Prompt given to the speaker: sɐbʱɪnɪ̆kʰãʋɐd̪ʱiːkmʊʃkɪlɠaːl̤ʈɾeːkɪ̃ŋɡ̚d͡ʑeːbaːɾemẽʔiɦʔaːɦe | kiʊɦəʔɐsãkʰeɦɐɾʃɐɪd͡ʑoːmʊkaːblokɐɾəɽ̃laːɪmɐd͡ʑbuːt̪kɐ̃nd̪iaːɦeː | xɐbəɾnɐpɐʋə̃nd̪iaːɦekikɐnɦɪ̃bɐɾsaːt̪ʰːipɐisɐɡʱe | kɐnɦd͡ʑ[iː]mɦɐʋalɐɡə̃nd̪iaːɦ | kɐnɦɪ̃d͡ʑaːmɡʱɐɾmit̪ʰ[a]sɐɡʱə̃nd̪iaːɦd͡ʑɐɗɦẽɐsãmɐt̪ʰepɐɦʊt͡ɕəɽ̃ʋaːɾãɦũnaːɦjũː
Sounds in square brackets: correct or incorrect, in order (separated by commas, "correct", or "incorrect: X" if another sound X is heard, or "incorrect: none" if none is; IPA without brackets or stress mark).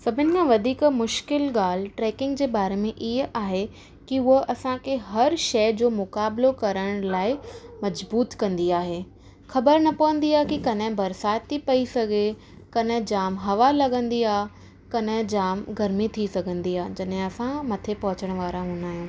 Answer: incorrect: aː, incorrect: i